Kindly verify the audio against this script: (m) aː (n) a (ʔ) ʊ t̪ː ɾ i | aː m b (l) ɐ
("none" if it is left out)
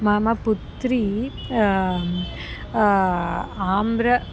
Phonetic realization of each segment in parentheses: m, m, p, ɾ

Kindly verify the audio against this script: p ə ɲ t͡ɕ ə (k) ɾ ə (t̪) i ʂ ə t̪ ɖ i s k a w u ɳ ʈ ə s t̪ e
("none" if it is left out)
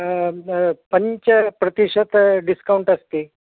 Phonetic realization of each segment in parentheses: p, t̪

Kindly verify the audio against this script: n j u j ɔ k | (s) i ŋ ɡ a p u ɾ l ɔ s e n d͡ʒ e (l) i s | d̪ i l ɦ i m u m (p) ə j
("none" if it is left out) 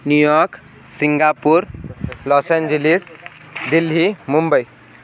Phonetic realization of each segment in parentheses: s, l, b

